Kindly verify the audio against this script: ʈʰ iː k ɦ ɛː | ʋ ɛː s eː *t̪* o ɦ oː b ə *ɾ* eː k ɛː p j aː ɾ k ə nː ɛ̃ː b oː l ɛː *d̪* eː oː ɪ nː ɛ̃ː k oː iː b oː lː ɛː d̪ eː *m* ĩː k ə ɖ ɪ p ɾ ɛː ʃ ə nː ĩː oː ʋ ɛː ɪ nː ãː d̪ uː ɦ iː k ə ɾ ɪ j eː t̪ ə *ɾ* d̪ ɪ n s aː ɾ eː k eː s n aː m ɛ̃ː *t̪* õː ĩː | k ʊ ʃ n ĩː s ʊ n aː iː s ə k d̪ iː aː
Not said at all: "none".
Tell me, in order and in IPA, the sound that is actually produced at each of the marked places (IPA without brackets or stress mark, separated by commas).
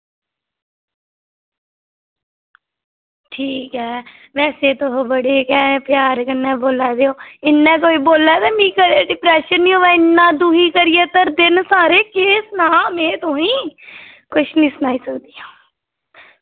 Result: t̪, ɽ, d̪, m, ɾ, t̪